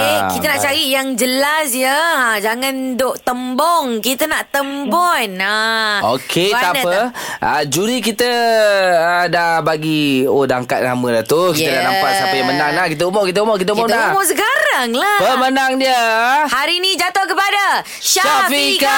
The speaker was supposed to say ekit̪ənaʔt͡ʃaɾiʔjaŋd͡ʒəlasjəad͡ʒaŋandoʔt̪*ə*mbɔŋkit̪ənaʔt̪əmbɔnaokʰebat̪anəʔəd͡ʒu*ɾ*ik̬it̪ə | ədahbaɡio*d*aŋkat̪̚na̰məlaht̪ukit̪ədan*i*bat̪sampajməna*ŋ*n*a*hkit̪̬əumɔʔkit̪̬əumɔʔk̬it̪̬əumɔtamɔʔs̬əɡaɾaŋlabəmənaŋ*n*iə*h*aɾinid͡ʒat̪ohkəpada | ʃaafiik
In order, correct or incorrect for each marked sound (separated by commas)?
correct, correct, correct, incorrect, correct, correct, incorrect, correct